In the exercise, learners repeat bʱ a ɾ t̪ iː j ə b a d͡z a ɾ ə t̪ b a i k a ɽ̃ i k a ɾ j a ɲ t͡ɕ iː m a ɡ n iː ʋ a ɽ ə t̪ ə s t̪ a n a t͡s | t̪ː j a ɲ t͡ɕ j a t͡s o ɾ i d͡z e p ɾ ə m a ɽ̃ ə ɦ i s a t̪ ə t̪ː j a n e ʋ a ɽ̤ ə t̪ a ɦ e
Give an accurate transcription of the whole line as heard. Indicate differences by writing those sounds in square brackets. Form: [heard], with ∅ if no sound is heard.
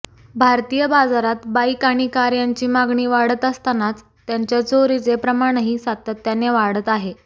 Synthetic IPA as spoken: bʱ a ɾ t̪ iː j ə b a d͡z a ɾ [a] t̪ b a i k a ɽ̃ i k a ɾ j a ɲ t͡ɕ iː m a ɡ [ɳ] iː ʋ a ɽ ə t̪ ə s t̪ a n a t͡s | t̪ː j a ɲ t͡ɕ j a t͡s o ɾ i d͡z e p ɾ ə m a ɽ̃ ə ɦ i s a t̪ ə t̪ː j a n e ʋ a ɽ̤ ə t̪ a ɦ e